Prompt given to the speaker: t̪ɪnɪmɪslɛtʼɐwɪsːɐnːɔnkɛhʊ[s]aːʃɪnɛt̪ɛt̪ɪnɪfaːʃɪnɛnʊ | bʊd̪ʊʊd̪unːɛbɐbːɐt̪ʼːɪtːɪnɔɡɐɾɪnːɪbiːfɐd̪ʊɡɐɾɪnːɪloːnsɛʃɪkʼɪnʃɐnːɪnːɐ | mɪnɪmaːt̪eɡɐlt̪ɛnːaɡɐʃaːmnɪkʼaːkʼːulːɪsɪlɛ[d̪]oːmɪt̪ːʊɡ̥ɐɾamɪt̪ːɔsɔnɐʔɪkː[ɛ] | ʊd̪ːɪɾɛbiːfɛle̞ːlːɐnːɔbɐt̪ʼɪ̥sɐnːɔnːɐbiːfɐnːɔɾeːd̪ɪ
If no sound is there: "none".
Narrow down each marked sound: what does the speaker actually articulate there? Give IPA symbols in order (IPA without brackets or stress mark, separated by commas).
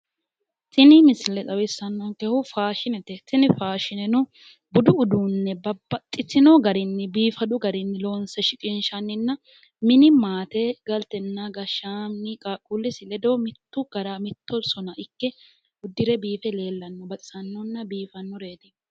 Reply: f, d̪, ɛ